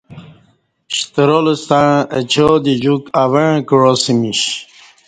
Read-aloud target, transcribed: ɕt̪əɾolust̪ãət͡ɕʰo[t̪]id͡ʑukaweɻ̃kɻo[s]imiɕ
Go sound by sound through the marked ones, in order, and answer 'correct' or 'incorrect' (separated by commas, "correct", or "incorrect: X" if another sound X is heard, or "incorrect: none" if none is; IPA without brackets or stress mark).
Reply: incorrect: d̪, correct